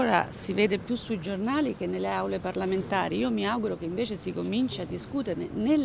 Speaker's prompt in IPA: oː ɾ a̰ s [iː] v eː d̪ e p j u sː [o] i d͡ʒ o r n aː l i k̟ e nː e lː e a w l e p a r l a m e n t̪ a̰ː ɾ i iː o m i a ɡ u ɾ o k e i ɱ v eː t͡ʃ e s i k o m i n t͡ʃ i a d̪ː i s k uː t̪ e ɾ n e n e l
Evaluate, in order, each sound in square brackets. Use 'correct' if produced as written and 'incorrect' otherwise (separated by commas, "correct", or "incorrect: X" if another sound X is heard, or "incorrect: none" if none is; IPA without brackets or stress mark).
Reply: incorrect: i, incorrect: u